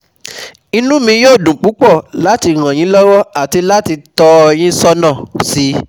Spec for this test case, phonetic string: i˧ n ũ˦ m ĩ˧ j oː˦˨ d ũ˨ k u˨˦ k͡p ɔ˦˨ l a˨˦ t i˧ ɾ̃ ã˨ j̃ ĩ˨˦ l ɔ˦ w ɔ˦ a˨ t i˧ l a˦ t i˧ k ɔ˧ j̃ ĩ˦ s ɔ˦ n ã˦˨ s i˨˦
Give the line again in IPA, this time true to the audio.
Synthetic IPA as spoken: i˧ n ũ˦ m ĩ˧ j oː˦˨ d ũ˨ k͡p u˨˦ k͡p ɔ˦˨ l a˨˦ t i˧ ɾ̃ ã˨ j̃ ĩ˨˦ l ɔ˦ w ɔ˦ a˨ t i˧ l a˦ t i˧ t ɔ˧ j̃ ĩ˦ s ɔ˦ n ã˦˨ s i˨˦